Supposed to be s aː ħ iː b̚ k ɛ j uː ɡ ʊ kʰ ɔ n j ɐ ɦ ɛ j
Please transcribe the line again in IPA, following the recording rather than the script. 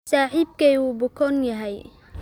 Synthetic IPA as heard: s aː ħ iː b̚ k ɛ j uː b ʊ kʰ ɔ n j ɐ ɦ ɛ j